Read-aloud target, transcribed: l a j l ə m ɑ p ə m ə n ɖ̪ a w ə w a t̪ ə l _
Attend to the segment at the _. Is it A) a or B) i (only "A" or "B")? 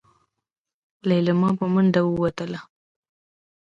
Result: A